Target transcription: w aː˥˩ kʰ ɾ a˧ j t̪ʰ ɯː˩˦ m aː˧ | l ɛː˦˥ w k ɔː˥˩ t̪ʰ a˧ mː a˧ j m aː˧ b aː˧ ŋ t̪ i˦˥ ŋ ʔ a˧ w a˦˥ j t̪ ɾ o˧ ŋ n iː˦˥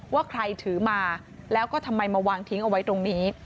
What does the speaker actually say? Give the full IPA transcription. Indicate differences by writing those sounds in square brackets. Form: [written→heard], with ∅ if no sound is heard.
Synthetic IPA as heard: w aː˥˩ kʰ ɾ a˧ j t̪ʰ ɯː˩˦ m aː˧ | l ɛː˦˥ w k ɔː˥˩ t̪ʰ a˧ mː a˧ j m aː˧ [b→w] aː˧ ŋ [t̪→t̪ʰ] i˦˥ ŋ ʔ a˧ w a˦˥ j t̪ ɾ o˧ ŋ n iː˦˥